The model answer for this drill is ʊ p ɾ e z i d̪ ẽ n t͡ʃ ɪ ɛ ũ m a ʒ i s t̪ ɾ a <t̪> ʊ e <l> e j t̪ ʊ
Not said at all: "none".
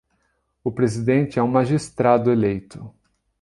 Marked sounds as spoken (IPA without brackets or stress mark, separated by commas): d̪, l